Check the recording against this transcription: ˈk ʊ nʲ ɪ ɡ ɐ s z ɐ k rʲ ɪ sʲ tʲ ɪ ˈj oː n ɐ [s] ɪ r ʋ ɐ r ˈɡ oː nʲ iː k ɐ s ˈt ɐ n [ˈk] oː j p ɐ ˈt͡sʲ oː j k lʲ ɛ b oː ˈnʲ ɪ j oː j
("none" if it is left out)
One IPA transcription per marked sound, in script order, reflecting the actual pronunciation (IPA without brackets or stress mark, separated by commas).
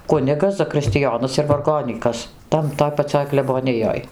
s, t